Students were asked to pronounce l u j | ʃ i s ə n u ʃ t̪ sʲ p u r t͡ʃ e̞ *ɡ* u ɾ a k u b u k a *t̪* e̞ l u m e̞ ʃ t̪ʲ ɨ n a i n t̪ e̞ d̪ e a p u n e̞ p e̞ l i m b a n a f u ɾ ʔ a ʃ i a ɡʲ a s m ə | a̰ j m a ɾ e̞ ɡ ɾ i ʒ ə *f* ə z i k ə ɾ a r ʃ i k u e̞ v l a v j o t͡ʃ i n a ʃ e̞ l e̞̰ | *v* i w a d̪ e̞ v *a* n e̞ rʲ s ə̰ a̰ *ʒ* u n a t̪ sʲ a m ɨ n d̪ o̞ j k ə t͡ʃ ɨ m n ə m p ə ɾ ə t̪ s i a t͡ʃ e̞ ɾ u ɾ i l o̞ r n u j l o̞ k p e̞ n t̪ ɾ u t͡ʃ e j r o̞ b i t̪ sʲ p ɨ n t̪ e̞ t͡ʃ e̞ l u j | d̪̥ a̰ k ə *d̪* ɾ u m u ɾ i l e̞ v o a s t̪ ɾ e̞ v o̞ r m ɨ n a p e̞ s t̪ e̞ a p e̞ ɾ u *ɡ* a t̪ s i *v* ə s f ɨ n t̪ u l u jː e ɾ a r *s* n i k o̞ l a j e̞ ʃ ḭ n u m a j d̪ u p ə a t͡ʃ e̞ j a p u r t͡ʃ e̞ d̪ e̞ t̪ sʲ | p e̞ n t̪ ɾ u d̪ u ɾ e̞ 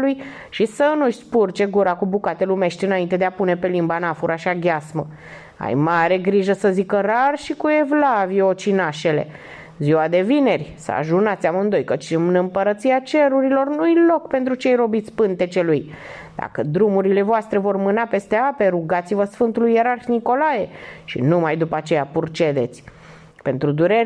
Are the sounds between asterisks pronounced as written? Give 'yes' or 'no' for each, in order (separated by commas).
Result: yes, yes, no, no, no, yes, yes, yes, yes, no